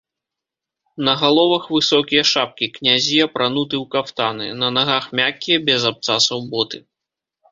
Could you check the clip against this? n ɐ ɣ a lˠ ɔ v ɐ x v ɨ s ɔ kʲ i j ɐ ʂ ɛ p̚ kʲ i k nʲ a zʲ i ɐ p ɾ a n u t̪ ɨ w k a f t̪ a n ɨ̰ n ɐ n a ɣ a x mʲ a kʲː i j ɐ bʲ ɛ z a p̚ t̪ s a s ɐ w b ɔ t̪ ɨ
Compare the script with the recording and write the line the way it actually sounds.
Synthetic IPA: n ɐ ɣ a lˠ ɔ v ɐ x v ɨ s ɔ kʲ i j ɐ ʂ a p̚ kʲ i k nʲ a zʲ i ɐ p ɾ a n u t̪ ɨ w k a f t̪ a n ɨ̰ n ɐ n a ɣ a x mʲ a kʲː i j ɐ bʲ ɛ z a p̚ t̪ s a s ɐ w b ɔ t̪ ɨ